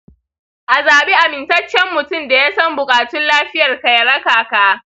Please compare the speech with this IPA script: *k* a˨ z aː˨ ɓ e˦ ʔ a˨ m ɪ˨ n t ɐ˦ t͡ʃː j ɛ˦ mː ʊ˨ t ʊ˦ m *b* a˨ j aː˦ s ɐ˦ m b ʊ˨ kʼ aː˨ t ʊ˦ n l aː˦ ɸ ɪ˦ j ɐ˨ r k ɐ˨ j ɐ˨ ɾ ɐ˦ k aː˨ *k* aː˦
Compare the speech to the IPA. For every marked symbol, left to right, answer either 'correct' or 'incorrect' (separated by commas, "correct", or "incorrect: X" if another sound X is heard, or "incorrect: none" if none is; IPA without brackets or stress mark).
incorrect: ʔ, incorrect: d, correct